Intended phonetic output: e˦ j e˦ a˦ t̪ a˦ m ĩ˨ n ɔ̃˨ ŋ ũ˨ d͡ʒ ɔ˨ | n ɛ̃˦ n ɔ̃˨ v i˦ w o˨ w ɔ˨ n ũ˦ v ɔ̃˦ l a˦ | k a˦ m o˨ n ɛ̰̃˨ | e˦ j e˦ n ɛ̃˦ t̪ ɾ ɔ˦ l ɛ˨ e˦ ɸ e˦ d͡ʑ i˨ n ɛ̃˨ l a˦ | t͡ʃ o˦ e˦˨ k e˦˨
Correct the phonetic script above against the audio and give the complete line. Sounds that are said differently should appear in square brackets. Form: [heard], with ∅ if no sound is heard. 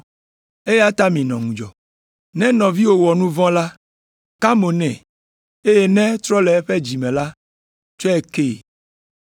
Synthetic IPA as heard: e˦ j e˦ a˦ t̪ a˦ m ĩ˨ n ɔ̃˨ ŋ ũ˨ d͡ʒ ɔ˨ | n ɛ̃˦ n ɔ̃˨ v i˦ w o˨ w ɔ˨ n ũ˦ v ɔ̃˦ l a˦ | k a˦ m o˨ n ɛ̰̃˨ | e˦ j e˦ n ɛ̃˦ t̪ ɾ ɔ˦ l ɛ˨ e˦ ɸ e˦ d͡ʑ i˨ [m] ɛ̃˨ l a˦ | t͡ʃ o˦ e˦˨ k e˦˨